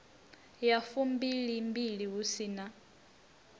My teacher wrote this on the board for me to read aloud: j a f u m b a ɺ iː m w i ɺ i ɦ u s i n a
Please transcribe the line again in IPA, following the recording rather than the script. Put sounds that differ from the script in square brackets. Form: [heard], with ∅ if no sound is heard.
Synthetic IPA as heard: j a f u m b [i] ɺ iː m [b] i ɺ i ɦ u s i n a